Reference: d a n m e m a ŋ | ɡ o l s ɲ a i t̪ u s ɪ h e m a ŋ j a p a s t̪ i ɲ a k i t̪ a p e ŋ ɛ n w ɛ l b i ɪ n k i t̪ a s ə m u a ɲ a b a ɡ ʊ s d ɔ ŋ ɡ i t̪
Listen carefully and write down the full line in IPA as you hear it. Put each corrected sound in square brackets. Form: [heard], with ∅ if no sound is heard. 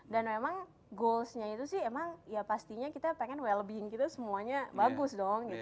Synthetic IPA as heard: d a n m e m a ŋ | ɡ o l s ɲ a i t̪ u s ɪ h e m a ŋ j a p a s t̪ i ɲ a k i t̪ a p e ŋ ɛ n w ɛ l b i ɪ [ŋ] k i t̪ a s ə m u a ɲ a b a ɡ ʊ s d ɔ ŋ ɡ i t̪